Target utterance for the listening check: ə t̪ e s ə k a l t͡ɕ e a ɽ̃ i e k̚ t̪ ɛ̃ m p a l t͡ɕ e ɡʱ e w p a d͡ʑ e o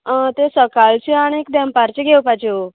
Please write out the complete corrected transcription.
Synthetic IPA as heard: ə t̪ e s ə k a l t͡ɕ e a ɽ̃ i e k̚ d̪ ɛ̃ m p a ɾ t͡ɕ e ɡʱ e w p a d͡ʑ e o